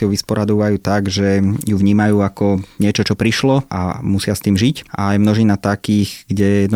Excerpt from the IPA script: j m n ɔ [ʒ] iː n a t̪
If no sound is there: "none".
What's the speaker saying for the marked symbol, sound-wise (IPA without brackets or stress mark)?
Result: ʒ